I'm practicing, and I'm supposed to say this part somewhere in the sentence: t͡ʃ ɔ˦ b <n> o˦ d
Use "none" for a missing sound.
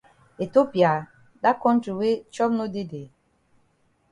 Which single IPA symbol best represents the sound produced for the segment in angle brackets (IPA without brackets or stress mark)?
n